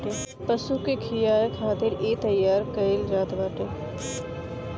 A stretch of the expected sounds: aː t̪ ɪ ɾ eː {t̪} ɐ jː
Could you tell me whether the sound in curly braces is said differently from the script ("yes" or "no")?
no